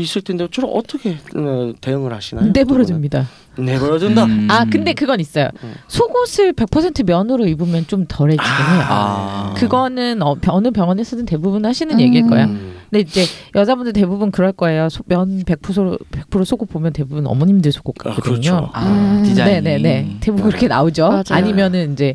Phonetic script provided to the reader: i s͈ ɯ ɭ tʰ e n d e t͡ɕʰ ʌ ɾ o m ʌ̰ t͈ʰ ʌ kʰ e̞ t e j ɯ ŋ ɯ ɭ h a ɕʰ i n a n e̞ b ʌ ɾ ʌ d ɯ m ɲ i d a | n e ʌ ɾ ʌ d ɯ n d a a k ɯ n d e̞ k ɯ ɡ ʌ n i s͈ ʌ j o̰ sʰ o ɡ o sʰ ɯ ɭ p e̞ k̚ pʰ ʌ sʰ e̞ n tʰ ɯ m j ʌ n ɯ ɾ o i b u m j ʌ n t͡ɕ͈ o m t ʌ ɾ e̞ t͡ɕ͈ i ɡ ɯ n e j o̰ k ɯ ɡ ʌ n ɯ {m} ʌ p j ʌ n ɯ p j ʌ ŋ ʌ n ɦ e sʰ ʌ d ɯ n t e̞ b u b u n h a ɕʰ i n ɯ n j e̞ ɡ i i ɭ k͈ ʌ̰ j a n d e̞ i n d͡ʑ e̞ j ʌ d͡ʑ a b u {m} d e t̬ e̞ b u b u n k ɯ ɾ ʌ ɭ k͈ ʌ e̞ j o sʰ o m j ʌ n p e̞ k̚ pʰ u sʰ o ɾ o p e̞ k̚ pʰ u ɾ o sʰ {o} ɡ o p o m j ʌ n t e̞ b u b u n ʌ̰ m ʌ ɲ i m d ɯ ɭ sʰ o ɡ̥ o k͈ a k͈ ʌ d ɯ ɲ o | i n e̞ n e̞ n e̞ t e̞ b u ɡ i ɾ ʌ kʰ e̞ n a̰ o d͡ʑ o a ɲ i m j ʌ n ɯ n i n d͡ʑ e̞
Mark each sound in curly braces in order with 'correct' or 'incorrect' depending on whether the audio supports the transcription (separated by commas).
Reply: incorrect, incorrect, correct